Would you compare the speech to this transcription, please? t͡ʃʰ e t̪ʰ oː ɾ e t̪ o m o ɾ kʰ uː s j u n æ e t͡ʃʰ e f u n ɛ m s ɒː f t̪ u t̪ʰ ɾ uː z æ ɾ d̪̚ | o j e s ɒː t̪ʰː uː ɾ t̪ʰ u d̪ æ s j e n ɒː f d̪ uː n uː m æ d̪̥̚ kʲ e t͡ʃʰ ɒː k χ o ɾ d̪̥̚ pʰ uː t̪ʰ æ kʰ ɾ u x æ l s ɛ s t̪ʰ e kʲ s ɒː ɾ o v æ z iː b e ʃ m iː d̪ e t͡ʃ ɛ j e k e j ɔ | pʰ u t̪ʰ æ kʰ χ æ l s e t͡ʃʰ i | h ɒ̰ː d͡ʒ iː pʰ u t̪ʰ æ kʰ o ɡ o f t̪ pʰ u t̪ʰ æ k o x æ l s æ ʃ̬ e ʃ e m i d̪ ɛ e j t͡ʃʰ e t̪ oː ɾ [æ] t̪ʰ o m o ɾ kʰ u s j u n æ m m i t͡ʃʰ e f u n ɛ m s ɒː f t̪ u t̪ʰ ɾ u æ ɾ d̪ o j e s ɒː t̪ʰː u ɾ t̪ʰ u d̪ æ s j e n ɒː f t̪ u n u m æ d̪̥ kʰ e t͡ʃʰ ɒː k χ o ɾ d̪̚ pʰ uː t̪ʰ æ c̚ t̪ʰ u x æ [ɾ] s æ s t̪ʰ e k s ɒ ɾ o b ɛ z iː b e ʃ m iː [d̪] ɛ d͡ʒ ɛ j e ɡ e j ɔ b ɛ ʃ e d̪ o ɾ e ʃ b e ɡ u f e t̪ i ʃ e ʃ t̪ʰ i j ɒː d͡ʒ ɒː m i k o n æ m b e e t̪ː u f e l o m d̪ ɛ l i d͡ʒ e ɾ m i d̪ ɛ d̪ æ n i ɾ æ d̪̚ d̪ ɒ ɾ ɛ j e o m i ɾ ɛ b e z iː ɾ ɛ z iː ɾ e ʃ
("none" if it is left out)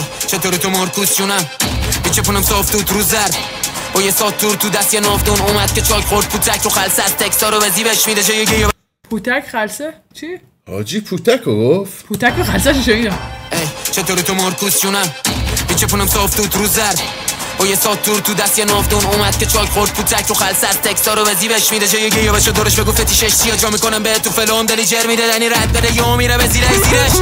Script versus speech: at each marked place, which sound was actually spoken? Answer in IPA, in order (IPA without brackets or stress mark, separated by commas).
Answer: i, l, d̪